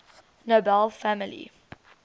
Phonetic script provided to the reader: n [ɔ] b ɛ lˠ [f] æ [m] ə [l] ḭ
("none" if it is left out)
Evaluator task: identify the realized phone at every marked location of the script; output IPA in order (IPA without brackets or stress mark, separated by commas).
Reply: o, f, m, l